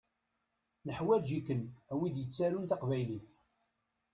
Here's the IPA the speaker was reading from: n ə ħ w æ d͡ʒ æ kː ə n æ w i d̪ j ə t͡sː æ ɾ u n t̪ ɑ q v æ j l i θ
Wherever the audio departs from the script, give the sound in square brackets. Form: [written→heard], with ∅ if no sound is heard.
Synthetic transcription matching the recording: n ə ħ w æ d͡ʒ [æ→i] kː ə n æ w i d̪ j ə t͡sː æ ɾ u n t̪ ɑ q v æ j l i θ